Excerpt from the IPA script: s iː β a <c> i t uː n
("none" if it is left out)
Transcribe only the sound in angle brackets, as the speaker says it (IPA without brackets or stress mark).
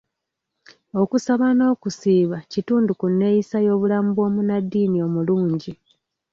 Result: c